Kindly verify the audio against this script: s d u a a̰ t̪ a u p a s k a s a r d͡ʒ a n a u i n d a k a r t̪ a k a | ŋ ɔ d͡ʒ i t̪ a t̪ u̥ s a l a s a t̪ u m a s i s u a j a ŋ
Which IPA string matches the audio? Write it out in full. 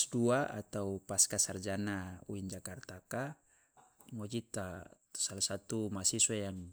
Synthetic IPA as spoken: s d u a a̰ t̪ a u p a s k a s a r d͡ʒ a n a u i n d͡ʒ a k a r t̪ a k a | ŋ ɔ d͡ʒ i t̪ a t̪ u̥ s a l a s a t̪ u m a s i s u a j a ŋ